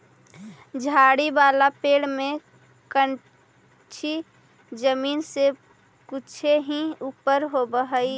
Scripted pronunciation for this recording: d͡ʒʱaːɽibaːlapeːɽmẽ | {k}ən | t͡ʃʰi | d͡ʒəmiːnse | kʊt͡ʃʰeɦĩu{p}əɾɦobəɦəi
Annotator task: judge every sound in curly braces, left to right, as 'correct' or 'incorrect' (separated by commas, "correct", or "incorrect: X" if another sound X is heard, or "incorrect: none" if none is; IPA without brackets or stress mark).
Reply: correct, correct